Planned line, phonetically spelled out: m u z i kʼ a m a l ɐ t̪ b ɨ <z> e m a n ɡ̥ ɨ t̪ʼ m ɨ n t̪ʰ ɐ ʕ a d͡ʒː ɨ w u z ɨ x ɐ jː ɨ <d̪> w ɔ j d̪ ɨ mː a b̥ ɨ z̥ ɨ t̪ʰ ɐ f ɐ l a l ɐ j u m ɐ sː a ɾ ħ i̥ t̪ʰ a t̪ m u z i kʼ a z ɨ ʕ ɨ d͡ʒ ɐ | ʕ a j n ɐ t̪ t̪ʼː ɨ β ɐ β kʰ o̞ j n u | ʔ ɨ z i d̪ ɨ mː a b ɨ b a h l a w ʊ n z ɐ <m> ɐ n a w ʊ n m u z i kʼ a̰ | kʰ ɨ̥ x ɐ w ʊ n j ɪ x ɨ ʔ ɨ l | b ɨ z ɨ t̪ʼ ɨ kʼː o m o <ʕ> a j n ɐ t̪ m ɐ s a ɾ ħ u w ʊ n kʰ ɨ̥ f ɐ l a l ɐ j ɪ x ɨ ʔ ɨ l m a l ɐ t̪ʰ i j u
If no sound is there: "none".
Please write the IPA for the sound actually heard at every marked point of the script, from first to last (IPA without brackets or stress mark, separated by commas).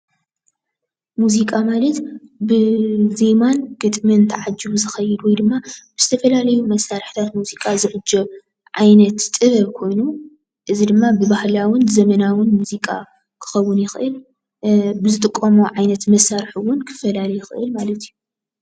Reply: z, d̪, m, ʕ